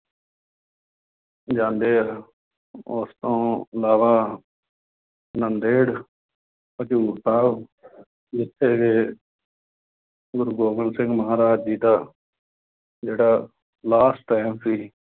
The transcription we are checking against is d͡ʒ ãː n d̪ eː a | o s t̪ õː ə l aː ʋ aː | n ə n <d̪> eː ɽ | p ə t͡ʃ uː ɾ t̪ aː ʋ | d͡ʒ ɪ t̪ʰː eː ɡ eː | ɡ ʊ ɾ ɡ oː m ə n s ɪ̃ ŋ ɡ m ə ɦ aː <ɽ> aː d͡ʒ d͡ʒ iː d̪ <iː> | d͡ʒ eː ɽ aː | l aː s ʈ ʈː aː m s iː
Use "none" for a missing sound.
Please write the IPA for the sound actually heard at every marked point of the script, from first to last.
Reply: d̪, ɾ, aː

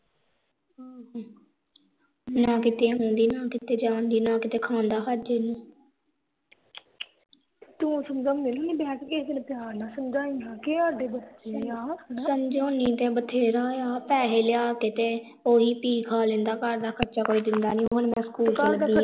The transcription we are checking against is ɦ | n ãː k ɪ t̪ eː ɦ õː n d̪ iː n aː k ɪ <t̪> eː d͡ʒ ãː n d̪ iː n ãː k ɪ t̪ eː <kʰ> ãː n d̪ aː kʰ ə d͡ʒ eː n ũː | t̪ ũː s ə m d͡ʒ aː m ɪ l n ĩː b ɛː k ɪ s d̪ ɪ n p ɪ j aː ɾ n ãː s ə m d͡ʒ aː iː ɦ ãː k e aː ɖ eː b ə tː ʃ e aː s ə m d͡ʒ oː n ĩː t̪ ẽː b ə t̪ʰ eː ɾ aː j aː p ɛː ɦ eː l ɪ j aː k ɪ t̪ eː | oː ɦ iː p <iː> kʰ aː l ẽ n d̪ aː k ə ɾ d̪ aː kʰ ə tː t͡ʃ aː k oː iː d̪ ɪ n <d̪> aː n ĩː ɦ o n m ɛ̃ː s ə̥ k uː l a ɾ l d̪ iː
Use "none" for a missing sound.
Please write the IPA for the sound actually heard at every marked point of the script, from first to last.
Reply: t̪, kʰ, iː, d̪

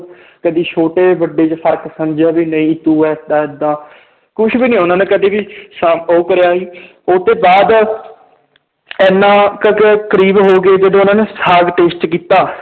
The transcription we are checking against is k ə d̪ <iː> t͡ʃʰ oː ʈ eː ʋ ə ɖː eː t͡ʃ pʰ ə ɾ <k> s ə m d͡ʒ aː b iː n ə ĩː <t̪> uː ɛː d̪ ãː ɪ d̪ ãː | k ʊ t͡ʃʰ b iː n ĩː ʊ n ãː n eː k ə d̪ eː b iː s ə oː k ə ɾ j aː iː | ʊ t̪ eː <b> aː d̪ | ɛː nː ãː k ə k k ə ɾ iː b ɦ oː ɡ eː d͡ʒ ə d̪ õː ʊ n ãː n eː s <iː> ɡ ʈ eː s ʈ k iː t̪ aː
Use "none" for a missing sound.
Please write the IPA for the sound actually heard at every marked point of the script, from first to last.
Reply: iː, k, t̪, b, aː

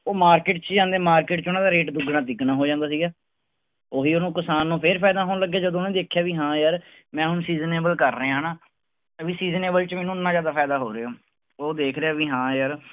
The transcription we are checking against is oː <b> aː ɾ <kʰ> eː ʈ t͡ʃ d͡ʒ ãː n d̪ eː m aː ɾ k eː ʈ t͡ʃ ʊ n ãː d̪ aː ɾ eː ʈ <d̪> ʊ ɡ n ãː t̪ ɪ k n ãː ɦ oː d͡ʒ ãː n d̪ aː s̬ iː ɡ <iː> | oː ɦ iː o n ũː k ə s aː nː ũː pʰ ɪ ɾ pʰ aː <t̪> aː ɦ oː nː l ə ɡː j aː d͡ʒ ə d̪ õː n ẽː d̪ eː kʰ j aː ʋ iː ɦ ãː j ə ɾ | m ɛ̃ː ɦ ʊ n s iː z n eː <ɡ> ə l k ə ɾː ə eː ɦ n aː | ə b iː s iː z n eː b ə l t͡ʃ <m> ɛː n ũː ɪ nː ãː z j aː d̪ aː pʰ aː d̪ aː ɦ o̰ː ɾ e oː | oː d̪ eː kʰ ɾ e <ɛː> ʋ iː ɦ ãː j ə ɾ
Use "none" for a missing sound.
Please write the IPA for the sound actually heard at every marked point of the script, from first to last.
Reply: m, k, d̪, aː, d̪, b, m, aː

